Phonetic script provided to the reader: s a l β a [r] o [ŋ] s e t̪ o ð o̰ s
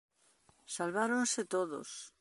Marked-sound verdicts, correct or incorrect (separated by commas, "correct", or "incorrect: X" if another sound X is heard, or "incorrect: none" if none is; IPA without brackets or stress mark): incorrect: ɾ, incorrect: n